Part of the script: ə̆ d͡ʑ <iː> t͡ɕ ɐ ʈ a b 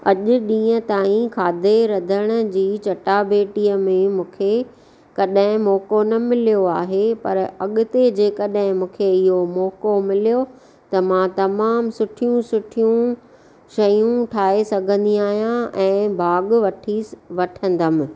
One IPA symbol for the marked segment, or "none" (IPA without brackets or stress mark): iː